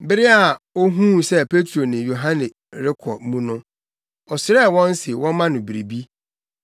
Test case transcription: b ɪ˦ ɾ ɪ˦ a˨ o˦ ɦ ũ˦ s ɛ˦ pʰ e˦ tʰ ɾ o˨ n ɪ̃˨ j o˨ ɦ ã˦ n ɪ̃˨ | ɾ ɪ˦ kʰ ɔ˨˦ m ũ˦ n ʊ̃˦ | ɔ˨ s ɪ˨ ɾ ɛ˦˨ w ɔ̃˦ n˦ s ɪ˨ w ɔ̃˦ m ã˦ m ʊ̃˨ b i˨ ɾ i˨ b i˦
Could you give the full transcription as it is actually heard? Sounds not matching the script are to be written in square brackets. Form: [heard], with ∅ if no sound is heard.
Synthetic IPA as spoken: b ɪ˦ ɾ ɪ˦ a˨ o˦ ɦ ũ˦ s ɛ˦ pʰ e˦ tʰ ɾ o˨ n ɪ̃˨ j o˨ ɦ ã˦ n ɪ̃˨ | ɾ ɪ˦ kʰ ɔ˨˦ m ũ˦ n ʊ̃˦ | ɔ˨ s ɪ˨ ɾ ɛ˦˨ w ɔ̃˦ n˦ s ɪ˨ w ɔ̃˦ m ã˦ [n] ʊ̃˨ b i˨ ɾ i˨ b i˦